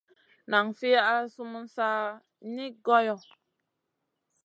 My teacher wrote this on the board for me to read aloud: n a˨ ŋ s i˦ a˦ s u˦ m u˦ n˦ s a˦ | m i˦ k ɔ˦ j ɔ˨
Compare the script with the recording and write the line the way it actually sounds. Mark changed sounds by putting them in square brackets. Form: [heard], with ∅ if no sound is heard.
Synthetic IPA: n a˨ ŋ [f] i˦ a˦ s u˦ m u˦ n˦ s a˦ | [n] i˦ [ɡ] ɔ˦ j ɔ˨